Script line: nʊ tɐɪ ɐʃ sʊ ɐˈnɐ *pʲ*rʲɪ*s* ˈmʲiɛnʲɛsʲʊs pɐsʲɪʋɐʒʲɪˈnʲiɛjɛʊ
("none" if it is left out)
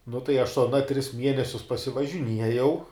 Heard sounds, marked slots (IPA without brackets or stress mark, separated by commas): tʲ, s